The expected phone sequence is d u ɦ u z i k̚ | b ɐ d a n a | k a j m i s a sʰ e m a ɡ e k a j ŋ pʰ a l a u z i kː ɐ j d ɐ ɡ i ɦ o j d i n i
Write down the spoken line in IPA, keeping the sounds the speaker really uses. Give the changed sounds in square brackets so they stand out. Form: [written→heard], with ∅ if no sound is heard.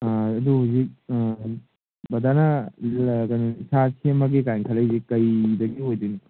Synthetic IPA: d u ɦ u z i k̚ | b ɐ d a n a | k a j [m→n] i s a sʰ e m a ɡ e k a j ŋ [pʰ→kʰ] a l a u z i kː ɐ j d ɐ ɡ i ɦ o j d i n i